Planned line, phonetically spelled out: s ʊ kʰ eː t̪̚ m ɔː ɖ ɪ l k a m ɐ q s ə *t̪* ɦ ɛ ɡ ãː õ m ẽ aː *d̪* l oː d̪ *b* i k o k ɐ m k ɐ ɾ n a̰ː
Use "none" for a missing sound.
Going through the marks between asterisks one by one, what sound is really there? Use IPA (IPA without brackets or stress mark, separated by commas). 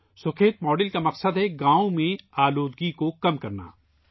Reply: d̪, none, ɡ